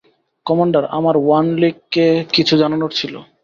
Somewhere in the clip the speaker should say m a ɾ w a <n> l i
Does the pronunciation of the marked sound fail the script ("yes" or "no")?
no